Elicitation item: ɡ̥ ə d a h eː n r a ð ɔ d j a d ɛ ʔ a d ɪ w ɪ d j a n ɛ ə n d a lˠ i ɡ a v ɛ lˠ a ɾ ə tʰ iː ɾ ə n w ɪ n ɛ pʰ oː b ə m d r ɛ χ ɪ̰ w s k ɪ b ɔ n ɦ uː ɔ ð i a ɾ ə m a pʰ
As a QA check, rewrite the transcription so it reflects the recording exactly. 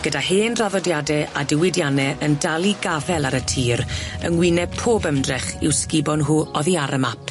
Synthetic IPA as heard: ɡ̥ ə d a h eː n r a ð ɔ d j a d ɛ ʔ a d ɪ w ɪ d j a n ɛ ə n d a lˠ i ɡ a v ɛ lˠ a ɾ ə tʰ iː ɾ ə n w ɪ n ɛ pʰ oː b ə m d r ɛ χ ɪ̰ w s k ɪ b ɔ n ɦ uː ɔ ð i a ɾ ə m a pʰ

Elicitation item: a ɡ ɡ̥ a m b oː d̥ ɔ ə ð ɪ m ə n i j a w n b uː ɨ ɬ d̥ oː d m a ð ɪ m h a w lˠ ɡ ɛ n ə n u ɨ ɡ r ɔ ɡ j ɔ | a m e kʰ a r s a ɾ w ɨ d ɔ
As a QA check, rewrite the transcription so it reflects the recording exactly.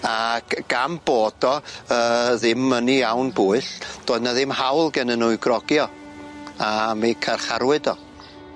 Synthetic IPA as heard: a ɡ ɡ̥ a m b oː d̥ ɔ ə ð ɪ m ə n i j a w n b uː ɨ ɬ d̥ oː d n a ð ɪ m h a w lˠ ɡ ɛ n ə n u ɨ ɡ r ɔ ɡ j ɔ | a m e kʰ a r χ a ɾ w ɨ d ɔ

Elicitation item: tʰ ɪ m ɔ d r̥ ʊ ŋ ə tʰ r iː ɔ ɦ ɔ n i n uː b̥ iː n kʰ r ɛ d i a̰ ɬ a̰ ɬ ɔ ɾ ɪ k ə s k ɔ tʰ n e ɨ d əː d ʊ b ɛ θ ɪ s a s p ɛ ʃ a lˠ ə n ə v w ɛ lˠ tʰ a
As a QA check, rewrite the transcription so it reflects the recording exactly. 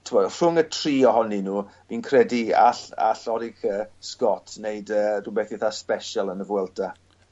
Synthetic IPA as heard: tʰ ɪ m ɔ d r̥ ʊ ŋ ə tʰ r iː ɔ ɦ ɔ n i n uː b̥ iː n kʰ r ɛ d i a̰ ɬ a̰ ɬ ɔ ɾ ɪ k ə s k ɔ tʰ n e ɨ d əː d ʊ b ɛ θ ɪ θ a s p ɛ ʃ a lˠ ə n ə v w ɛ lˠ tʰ a

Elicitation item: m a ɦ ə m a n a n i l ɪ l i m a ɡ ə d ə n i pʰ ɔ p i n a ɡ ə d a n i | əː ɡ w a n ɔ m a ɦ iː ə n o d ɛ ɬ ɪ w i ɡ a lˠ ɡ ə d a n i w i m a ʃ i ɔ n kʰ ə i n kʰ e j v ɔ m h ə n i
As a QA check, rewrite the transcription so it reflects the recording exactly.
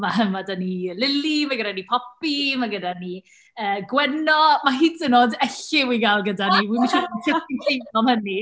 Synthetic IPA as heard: m a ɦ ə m a d a n i l ɪ l i m a ɡ ə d a n i pʰ ɔ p i m a ɡ ə d a n i | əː ɡ w ɛ n ɔ m a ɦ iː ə n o d ɛ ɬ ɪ w i ɡ a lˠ ɡ ə d a n i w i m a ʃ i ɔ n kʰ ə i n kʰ e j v ɔ m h ə n i

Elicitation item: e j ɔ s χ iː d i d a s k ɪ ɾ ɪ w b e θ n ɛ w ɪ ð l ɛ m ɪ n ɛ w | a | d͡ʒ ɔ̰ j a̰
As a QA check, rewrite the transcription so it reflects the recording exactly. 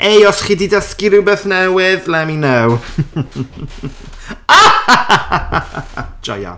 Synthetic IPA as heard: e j ɔ s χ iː d i d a s k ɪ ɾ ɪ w b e θ n ɛ w ɪ ð l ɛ m i n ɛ w | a | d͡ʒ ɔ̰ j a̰

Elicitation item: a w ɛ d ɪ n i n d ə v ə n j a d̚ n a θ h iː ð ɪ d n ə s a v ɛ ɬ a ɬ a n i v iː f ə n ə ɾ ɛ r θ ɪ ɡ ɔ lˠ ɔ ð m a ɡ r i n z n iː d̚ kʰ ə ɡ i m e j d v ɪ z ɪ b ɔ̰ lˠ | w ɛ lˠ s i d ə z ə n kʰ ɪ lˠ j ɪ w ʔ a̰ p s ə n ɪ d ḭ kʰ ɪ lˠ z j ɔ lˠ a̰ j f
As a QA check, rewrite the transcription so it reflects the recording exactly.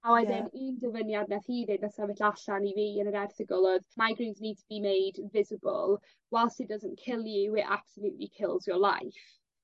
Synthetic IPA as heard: a w ɛ d ɪ n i n d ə v ə n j a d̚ n a θ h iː ð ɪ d n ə s a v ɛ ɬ a ɬ a n i v iː ə n ə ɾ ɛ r θ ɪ ɡ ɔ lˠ ɔ ð m a ɡ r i n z n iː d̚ tʰ ə b i m e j d v ɪ z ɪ b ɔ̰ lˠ | w ɛ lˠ s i d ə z ə n kʰ ɪ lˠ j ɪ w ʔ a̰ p s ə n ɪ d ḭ kʰ ɪ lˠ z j ɔ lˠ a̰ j f

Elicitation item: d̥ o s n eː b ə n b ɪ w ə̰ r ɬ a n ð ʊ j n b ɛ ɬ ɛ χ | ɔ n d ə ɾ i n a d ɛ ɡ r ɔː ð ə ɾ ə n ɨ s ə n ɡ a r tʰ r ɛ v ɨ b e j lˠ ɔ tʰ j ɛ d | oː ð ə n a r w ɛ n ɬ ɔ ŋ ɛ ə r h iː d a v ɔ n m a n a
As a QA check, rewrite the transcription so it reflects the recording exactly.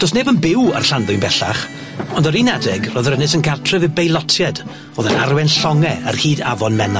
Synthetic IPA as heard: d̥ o s n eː b ə n b ɪ w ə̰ r ɬ a n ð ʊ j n b ɛ ɬ a χ | ɔ n d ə ɾ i n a d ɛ ɡ r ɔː ð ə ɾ ə n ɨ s ə n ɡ a r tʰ r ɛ v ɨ b e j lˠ ɔ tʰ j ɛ d | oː ð ə n a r w ɛ n ɬ ɔ ŋ ɛ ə r h iː d a v ɔ n m ɛ n a

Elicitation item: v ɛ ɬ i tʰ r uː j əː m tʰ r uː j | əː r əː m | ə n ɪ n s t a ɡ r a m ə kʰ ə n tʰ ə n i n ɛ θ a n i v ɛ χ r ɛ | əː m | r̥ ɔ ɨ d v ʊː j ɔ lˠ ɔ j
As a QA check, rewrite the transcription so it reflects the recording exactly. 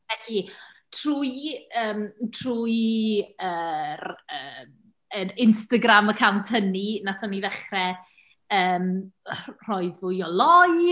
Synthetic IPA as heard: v ɛ ɬ i tʰ r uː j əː m tʰ r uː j | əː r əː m | ə n ɪ n s t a ɡ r a m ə kʰ a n tʰ ə n i n a θ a n i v ɛ χ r ɛ | əː m | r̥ ɔ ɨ d v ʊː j ɔ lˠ ɔ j

